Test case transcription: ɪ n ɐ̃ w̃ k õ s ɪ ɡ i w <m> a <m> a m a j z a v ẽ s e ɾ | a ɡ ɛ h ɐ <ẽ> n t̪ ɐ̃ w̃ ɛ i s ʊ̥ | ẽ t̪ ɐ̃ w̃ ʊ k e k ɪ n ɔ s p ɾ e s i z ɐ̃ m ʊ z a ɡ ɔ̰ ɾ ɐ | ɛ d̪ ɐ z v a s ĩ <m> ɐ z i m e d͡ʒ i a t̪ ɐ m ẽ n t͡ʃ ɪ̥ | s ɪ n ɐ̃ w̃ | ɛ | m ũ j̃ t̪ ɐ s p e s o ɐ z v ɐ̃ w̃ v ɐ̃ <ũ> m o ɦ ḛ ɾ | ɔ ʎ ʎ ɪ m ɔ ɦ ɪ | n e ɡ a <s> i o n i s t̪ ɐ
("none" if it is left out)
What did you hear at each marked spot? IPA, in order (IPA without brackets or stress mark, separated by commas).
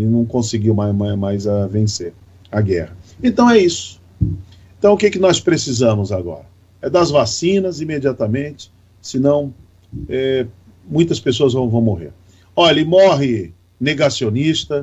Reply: m, m, ẽ, n, w̃, s